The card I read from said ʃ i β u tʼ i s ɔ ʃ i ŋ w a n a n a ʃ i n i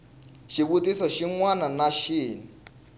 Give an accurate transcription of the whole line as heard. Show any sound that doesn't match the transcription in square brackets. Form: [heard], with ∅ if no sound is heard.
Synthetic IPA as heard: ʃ i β u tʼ i s ɔ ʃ i ŋ w a n a n a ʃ [iː] n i